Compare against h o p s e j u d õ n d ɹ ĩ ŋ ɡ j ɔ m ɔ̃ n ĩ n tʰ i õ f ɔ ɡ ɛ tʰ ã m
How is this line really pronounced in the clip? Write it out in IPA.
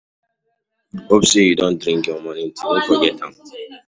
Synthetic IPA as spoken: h o p s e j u d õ n d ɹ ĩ ŋ k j ɔ m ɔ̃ n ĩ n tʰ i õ f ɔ ɡ ɛ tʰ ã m

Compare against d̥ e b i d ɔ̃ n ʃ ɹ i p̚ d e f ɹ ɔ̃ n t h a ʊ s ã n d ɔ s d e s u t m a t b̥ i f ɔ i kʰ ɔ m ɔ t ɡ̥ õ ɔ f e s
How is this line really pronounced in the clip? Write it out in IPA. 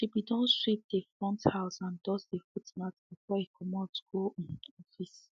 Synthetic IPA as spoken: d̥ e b i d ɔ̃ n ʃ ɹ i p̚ d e f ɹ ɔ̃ n t h a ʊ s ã n d ɔ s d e f u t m a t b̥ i f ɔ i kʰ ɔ m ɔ t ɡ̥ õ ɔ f i s

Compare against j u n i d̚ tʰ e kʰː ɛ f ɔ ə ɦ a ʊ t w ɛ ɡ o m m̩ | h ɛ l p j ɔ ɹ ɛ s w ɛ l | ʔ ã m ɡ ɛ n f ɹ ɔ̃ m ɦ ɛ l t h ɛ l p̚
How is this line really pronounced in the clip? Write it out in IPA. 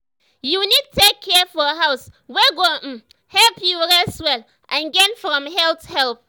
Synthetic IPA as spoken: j u n i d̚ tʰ e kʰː ɛ f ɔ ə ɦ a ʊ s w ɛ ɡ o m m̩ | h ɛ l p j u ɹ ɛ s w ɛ l | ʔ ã n ɡ ɛ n f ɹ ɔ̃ m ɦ ɛ l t h ɛ l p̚

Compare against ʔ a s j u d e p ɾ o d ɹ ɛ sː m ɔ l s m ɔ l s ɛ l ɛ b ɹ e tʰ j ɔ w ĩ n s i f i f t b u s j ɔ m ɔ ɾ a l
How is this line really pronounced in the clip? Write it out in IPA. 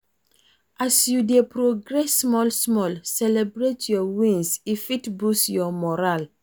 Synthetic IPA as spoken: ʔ a s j u d e p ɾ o ɡ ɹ ɛ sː m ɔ l s m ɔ l s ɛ l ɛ b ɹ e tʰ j ɔ w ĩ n s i f i t b u s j ɔ m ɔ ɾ a l

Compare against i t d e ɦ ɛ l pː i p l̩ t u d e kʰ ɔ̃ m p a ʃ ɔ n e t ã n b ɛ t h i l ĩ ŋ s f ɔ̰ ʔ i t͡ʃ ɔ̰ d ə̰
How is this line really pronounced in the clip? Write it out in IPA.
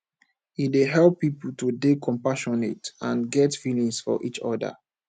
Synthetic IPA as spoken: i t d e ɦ ɛ l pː i p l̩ t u d e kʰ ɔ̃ m p a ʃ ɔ n e t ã n ɡ ɛ t f i l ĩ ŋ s f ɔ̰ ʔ i t͡ʃ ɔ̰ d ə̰

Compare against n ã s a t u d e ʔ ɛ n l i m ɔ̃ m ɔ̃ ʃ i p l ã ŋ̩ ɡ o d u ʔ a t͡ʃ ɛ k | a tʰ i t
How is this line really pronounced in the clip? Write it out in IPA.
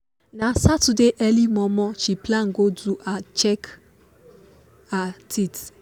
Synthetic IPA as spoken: n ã s a t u d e ʔ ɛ l i m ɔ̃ m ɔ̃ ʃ i p l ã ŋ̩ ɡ o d u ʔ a t͡ʃ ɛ k | a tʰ i t

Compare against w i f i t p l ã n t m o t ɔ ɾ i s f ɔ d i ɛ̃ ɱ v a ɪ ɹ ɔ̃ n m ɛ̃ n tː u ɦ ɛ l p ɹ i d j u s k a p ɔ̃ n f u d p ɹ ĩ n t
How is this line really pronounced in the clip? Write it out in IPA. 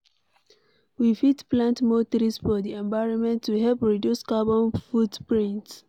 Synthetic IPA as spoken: w i f i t p l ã n t m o t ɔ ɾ i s f ɔ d i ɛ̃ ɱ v a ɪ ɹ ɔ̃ n m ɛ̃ n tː u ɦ ɛ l p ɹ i d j u s k a b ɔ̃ n f u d p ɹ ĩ n t

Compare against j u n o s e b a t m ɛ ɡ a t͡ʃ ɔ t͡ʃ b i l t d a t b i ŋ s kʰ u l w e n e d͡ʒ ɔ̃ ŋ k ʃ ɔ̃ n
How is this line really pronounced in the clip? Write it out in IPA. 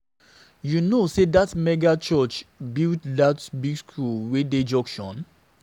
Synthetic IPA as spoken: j u n o s e d a t m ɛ ɡ a t͡ʃ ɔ t͡ʃ b i l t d a t b i ɡ s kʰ u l w e d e d͡ʒ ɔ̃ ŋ k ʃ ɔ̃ n

